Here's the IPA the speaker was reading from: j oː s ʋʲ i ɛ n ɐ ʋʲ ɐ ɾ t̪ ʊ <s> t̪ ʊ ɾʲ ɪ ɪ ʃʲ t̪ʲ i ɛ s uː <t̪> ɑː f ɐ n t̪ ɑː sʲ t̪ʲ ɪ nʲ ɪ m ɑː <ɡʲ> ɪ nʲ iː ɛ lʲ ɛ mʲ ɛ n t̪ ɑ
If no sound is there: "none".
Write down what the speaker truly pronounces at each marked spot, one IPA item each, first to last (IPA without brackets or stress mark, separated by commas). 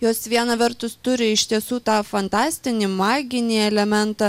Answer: s, t̪, ɡʲ